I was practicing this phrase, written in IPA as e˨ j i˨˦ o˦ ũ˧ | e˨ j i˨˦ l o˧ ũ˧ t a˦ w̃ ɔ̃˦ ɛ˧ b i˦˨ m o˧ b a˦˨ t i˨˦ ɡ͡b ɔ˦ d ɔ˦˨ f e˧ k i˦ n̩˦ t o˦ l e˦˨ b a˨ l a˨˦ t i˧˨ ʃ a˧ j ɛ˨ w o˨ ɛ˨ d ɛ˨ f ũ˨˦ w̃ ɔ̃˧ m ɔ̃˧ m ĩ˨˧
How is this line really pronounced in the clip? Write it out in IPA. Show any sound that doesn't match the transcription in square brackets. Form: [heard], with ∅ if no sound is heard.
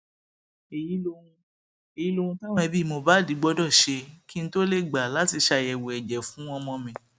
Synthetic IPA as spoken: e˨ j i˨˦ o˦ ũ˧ | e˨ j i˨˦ l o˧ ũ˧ t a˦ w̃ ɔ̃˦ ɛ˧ b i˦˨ m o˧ b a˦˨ [d] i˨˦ ɡ͡b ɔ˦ d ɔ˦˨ [ʃ] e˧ k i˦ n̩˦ t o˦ l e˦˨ [ɡ͡b] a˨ l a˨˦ t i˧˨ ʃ a˧ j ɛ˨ w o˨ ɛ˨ [d͡ʒ] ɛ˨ f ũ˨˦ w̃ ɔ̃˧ m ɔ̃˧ m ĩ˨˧

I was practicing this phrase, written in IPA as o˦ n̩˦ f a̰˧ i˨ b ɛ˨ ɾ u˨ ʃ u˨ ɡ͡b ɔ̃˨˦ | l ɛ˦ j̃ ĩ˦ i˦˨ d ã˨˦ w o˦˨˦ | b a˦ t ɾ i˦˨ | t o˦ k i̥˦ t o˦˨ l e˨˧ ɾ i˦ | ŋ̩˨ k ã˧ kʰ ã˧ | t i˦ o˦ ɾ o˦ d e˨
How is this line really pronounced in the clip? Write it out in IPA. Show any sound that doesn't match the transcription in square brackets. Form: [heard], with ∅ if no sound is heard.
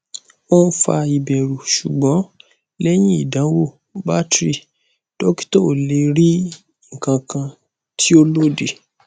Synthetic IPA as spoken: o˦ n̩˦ f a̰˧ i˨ b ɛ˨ ɾ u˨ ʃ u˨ ɡ͡b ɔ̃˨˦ | l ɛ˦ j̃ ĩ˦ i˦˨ d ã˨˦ w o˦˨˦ | b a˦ t ɾ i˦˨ | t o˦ k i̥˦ t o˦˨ l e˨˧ ɾ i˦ | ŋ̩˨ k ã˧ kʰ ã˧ | t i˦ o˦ [l] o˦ d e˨

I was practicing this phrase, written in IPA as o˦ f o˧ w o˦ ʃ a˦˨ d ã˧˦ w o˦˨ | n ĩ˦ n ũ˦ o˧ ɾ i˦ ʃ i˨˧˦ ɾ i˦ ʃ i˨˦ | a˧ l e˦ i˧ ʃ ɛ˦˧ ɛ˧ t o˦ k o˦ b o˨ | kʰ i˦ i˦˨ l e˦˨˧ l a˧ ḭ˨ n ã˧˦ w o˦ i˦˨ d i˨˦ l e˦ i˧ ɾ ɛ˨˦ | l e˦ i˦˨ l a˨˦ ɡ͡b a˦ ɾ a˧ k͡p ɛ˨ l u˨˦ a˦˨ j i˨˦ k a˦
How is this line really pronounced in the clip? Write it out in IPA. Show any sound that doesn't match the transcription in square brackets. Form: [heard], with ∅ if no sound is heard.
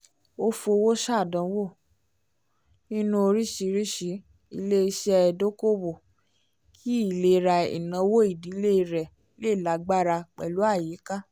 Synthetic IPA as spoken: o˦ f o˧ w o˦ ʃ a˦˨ d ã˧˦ w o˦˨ | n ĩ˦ n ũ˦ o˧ ɾ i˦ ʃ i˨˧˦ ɾ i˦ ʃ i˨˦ | [i˧] l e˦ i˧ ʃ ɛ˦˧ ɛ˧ [d] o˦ k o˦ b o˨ | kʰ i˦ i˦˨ l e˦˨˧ [ɾ] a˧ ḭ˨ n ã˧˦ w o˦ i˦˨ d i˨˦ l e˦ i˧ ɾ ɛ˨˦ | l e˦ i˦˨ l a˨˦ ɡ͡b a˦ ɾ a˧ k͡p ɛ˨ l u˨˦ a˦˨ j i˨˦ k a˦

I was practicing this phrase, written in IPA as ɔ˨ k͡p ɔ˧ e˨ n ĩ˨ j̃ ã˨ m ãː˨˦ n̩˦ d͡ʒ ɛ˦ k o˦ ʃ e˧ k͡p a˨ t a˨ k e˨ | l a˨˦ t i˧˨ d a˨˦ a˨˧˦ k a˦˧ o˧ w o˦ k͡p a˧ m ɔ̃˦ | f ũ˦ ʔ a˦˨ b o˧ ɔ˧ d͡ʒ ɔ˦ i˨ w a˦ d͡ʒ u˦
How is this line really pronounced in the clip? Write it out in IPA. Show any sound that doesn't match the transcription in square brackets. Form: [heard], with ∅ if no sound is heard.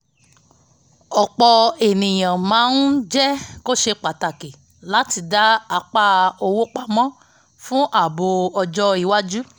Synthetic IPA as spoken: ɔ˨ k͡p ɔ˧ e˨ n ĩ˨ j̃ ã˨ m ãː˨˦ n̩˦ d͡ʒ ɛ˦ k o˦ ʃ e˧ k͡p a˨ t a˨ k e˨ | l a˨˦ t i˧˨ d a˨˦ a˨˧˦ [k͡p] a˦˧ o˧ w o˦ k͡p a˧ m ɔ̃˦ | f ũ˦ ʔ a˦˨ b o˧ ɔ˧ d͡ʒ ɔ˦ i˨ w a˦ d͡ʒ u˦

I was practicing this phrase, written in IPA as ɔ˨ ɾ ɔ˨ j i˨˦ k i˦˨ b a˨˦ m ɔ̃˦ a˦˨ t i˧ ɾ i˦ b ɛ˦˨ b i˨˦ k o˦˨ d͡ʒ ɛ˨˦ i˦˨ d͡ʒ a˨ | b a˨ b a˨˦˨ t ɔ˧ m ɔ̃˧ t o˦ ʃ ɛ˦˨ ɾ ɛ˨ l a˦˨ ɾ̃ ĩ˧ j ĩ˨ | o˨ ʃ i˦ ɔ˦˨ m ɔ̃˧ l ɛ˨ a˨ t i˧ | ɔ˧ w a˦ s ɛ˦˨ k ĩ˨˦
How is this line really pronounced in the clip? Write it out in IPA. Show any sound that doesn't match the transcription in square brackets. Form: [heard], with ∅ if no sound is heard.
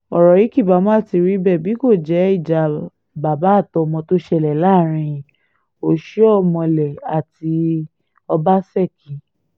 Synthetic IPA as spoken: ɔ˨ ɾ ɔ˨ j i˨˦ k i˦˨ b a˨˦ m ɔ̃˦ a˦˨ t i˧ ɾ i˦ b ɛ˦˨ b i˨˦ k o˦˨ d͡ʒ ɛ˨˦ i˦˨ d͡ʒ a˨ | b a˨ b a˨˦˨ t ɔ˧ m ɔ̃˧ t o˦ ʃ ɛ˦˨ [l] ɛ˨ l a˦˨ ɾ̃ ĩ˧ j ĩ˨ | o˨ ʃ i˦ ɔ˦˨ m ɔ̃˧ l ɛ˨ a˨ t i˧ | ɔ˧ [b] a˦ s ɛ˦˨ k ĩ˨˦

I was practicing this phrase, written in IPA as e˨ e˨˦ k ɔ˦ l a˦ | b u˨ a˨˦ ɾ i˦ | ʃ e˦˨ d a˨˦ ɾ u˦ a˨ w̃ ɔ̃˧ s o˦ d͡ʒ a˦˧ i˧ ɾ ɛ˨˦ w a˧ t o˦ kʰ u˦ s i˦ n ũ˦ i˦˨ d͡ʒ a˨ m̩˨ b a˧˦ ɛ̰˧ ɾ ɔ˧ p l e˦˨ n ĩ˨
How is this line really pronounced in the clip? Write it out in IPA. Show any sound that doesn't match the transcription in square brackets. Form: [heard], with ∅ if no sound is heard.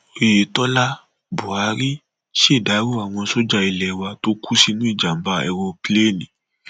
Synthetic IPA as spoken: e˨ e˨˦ [t] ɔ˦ l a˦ | b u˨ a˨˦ ɾ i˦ | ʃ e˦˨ d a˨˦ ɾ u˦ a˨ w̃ ɔ̃˧ s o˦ d͡ʒ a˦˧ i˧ [l] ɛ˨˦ w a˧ t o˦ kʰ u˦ s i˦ n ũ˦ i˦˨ d͡ʒ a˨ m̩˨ b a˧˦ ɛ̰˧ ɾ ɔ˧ p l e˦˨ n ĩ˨

